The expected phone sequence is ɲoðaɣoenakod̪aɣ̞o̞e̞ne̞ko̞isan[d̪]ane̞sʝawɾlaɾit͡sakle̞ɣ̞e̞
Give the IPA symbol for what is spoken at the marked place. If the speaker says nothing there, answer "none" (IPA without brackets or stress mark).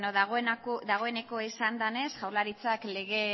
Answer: d̪